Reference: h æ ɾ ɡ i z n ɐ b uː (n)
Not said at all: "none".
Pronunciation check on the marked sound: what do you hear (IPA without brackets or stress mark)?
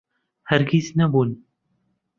n